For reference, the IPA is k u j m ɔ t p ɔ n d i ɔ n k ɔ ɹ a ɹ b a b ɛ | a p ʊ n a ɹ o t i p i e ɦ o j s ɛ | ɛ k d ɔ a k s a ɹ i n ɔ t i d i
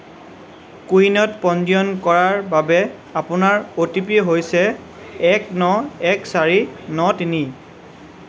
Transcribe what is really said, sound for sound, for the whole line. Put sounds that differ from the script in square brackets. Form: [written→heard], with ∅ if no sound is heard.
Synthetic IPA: k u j [m→n] ɔ t p ɔ n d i ɔ n k ɔ ɹ a ɹ b a b ɛ | a p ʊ n a ɹ o t i p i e ɦ o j s ɛ | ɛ k [d→n] ɔ [a→ɛ] k s a ɹ i n ɔ t i [d→n] i